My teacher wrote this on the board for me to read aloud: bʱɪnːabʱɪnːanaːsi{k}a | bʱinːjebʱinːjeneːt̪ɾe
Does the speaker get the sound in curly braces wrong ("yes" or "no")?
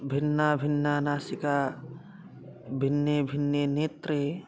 no